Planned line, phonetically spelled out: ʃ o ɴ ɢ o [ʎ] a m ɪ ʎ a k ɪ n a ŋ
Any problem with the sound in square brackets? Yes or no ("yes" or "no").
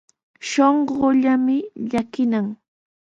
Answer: no